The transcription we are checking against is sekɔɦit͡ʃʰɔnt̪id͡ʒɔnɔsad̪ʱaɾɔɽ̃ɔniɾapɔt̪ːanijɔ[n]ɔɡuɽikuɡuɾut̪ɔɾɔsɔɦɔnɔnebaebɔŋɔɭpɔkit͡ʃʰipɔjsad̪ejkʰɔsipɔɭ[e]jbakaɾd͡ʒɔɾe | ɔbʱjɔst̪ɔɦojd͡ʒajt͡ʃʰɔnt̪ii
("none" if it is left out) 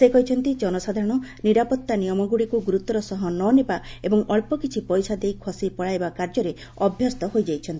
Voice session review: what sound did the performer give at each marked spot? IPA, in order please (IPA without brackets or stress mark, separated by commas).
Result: m, a